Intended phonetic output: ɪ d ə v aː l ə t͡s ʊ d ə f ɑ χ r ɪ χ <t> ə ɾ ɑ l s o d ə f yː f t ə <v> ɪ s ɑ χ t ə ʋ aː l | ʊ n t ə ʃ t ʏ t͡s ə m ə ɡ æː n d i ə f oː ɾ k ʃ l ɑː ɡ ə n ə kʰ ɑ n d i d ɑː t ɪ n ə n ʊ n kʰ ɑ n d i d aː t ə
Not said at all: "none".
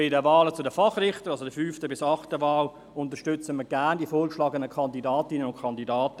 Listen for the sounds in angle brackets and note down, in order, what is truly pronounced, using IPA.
t, b

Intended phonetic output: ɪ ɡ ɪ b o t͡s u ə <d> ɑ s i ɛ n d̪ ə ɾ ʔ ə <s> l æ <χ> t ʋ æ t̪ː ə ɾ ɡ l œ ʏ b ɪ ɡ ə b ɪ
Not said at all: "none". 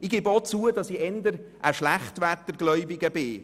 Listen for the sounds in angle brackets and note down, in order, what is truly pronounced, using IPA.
d, ʃ, χ

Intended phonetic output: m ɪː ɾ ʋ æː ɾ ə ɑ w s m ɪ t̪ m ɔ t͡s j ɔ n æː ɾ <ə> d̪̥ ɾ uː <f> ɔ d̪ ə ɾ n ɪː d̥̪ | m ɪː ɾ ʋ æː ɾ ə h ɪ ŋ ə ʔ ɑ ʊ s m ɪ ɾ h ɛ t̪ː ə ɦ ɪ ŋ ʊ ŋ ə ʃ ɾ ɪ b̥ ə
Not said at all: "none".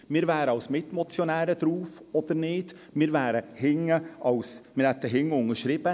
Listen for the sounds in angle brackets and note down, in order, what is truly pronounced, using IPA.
ə, f

